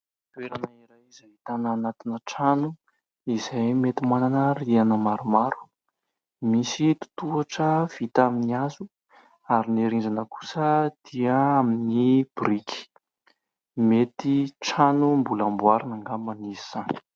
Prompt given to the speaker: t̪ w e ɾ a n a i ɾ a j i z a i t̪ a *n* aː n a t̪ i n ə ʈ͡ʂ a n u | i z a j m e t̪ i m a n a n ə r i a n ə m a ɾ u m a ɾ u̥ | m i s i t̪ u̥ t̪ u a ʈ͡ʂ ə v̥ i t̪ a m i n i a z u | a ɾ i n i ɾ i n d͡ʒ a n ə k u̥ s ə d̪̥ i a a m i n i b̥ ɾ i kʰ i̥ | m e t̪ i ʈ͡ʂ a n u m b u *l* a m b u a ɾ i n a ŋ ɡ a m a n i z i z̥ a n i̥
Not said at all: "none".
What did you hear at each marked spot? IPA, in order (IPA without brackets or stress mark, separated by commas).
n, l